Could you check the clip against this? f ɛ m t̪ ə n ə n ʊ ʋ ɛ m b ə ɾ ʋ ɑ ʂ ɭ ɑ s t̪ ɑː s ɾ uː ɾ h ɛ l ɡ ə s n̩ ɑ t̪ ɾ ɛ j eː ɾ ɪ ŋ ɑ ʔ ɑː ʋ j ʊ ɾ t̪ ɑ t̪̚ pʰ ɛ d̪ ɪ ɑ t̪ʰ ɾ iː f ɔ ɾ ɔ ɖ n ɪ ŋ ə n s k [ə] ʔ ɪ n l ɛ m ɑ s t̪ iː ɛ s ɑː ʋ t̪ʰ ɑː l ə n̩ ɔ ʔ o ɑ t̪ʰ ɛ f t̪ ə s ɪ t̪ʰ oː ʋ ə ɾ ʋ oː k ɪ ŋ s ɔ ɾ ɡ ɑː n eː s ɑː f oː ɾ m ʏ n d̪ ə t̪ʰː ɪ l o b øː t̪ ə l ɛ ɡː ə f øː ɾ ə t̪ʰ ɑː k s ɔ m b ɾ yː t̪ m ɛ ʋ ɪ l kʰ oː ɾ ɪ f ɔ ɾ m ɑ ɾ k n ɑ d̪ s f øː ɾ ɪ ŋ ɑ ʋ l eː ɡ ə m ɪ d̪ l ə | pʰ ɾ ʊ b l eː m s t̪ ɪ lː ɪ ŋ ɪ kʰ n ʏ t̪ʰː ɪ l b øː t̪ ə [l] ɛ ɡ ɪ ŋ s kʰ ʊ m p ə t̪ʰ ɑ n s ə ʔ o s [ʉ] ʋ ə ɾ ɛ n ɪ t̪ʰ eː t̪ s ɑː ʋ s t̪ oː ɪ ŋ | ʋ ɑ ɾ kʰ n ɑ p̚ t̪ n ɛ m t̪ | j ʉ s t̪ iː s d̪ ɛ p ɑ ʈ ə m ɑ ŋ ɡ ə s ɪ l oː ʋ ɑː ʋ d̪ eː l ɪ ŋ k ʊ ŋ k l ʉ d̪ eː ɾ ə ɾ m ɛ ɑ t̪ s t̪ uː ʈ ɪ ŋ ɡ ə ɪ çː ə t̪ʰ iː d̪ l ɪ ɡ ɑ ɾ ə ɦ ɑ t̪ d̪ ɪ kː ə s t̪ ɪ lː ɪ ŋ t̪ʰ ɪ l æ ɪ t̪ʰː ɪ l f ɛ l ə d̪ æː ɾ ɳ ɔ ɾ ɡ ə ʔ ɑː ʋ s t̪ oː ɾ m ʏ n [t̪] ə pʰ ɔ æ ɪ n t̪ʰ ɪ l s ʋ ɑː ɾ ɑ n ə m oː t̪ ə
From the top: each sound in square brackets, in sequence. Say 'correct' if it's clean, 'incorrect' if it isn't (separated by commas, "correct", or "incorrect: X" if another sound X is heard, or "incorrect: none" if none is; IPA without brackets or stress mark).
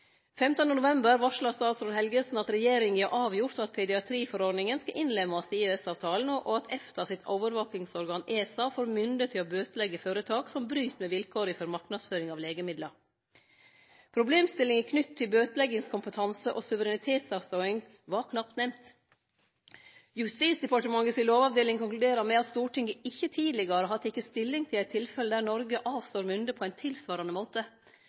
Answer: incorrect: ɑ, correct, correct, incorrect: d̪